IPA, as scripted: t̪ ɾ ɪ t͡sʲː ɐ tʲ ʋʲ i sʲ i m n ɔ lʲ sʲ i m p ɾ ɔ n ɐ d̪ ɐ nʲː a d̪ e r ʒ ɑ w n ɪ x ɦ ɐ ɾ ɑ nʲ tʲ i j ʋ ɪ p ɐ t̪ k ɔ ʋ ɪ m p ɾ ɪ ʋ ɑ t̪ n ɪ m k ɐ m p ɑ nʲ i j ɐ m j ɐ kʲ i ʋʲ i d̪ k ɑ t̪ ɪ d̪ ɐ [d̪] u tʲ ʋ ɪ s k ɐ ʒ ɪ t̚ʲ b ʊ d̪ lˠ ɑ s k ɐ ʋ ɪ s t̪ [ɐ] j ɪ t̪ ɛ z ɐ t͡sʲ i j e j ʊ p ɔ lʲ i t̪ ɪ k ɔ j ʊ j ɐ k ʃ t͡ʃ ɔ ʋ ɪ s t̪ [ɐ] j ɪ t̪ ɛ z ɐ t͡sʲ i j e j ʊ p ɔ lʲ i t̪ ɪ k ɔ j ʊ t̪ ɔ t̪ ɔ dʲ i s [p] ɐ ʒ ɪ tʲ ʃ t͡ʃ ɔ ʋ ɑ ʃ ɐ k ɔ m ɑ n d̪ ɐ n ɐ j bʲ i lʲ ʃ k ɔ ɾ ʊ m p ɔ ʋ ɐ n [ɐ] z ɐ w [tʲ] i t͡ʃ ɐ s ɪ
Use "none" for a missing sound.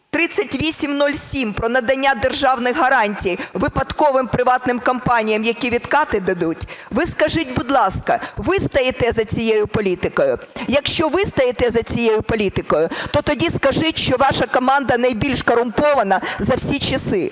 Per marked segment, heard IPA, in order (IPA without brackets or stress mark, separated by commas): d̪, ɐ, ɐ, k, ɐ, sʲ